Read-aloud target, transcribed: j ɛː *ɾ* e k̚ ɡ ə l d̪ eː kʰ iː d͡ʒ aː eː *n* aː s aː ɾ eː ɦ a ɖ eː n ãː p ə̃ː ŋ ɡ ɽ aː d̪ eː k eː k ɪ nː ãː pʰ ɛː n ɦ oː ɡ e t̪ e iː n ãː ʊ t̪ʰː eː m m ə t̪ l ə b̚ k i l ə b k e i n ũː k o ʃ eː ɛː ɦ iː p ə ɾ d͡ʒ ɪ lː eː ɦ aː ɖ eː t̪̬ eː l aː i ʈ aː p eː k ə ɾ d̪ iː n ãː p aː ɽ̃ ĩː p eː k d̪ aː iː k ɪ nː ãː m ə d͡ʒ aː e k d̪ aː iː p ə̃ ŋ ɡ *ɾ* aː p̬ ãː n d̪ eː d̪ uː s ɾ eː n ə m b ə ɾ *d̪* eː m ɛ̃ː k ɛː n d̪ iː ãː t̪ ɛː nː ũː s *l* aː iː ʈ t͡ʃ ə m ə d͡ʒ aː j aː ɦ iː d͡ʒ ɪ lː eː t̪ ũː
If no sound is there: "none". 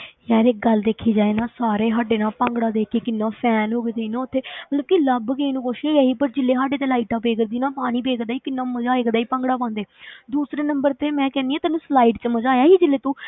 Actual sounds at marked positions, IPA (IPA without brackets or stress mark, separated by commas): ɾ, n, ɽ, t̪, l